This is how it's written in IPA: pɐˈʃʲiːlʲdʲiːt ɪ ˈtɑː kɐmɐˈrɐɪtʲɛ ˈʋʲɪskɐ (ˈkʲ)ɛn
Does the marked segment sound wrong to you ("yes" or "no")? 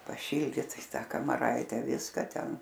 yes